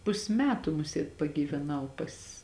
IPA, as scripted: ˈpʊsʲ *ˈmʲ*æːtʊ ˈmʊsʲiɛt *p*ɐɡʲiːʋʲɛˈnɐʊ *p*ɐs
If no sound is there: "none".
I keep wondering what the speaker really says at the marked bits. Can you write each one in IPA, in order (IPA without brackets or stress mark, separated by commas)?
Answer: mʲ, p, p